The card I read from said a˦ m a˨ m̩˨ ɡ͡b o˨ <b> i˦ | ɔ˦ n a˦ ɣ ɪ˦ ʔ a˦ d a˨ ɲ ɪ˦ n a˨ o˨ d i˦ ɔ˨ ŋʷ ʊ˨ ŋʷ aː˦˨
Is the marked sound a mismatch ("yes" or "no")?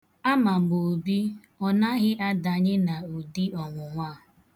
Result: no